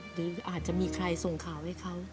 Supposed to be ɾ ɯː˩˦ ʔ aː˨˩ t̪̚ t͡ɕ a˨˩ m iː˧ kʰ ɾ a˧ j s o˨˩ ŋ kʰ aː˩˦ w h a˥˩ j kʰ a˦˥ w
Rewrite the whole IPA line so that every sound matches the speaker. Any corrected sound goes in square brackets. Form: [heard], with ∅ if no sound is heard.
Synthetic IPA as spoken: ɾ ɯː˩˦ ʔ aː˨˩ t̪̚ t͡ɕ a˨˩ m iː˧ kʰ ɾ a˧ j s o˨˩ ŋ kʰ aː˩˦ w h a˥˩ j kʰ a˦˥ w

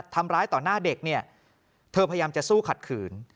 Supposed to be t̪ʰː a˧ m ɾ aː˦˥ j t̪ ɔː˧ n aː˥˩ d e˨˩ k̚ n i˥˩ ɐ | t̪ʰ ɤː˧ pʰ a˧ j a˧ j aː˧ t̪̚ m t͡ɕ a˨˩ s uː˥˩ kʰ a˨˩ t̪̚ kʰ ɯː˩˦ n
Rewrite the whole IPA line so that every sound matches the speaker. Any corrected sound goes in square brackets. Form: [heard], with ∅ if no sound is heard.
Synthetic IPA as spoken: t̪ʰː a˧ m ɾ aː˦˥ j t̪ [ɔː˨˩] n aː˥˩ d e˨˩ k̚ n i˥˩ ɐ | t̪ʰ ɤː˧ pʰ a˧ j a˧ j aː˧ [∅] m t͡ɕ a˨˩ s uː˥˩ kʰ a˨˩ t̪̚ kʰ ɯː˩˦ n

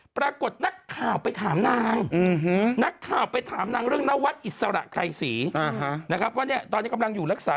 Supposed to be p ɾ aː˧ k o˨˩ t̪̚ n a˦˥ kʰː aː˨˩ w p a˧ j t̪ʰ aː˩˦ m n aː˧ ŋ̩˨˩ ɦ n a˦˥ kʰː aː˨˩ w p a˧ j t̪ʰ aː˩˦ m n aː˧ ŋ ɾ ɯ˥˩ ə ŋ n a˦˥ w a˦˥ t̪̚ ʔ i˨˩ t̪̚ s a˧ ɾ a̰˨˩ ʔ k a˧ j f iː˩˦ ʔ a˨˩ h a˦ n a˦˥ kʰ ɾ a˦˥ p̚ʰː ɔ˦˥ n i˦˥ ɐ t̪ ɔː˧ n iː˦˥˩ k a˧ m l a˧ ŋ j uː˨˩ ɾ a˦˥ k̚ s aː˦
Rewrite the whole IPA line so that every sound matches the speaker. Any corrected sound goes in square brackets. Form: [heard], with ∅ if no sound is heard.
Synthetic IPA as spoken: p ɾ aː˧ k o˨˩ t̪̚ n a˦˥ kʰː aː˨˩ w p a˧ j t̪ʰ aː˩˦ m n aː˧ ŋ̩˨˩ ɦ n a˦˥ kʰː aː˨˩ w p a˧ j t̪ʰ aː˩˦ m n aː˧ ŋ ɾ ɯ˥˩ ə ŋ n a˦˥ w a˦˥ t̪̚ ʔ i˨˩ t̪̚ s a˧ ɾ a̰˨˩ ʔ k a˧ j [s] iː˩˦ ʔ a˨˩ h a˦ n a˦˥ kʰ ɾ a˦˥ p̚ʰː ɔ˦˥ n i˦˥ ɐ t̪ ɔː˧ n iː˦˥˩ k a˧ m l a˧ ŋ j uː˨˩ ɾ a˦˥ k̚ s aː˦

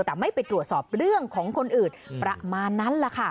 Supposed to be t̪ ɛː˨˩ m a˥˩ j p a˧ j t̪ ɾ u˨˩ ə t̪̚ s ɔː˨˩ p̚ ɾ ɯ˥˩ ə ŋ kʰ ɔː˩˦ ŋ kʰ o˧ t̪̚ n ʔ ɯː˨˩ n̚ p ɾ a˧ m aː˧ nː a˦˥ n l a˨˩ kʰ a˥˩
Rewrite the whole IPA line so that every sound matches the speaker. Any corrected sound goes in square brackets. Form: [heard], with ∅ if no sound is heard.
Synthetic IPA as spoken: t̪ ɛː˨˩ m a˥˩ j p a˧ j t̪ ɾ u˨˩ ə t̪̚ s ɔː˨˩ p̚ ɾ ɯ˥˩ ə ŋ kʰ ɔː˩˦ ŋ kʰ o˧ [∅] n ʔ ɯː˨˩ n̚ p ɾ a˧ m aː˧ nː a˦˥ n l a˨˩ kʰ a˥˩

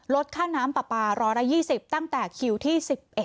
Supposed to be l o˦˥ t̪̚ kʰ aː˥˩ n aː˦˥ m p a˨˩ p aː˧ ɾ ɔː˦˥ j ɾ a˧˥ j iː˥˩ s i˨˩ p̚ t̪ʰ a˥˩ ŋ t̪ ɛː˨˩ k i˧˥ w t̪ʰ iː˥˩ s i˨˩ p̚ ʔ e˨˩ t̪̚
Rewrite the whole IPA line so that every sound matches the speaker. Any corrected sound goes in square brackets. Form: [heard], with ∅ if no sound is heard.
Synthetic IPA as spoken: l o˦˥ t̪̚ kʰ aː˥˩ n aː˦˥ m p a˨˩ p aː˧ ɾ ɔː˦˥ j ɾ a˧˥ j iː˥˩ s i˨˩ p̚ [t̪] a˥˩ ŋ t̪ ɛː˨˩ [kʰ] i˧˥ w t̪ʰ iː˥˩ s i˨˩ p̚ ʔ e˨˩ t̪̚

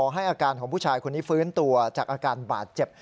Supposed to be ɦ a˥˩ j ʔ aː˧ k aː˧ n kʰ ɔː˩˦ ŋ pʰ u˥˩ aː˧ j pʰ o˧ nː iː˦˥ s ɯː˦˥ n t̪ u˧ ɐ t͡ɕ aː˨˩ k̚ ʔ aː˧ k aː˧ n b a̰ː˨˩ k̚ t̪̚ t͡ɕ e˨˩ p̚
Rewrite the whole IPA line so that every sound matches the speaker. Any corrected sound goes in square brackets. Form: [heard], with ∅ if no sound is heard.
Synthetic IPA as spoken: ɦ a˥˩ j ʔ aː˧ k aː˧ n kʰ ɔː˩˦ ŋ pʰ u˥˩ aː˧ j [kʰ] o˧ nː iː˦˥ [f] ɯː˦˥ n t̪ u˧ ɐ t͡ɕ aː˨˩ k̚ ʔ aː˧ k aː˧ n b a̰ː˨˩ [∅] t̪̚ t͡ɕ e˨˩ p̚

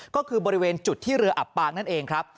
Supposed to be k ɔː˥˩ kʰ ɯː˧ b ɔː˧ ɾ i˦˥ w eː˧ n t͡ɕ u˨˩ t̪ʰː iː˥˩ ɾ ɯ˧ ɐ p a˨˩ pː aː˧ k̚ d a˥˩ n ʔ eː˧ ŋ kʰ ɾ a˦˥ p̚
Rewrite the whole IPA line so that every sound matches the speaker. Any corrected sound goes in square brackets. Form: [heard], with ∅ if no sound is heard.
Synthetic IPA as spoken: k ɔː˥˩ kʰ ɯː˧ b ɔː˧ ɾ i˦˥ w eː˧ n t͡ɕ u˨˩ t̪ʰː iː˥˩ ɾ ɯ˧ ɐ [ʔ] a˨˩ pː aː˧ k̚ [n] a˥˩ n ʔ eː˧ ŋ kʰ ɾ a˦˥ p̚

